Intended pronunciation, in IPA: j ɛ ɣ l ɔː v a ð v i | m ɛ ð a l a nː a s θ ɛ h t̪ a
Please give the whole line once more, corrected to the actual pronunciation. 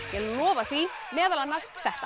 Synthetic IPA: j ɛ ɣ l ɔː v a θ v i | m ɛː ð a l a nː a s θ ɛ h t̪ a